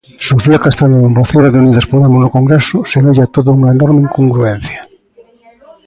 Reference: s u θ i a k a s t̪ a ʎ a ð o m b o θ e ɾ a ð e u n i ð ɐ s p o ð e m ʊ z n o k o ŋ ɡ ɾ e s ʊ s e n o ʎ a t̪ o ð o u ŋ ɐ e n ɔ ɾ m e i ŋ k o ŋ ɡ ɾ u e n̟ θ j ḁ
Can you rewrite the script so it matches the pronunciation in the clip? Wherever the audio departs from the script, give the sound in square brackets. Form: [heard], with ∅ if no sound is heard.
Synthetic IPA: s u θ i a k a s t̪ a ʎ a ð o m b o θ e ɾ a ð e u n i ð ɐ s p o ð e m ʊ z n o k o ŋ ɡ ɾ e s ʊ s e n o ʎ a t̪ o ð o u ŋ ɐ e n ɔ ɾ m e i ŋ k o ŋ ɡ ɾ u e n̟ θ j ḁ